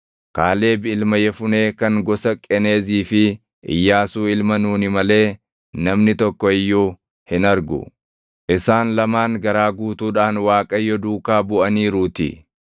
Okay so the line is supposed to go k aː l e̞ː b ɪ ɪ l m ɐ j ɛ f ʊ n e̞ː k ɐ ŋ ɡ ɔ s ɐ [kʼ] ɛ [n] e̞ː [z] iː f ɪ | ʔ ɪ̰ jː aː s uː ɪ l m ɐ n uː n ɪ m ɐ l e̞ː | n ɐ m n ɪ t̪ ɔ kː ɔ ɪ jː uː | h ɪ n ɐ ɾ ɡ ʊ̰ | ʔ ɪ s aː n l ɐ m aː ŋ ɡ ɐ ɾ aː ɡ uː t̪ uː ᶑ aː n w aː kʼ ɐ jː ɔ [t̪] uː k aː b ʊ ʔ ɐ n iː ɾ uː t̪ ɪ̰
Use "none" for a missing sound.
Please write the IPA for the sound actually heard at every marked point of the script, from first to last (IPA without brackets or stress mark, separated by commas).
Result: kʼ, n, z, d̪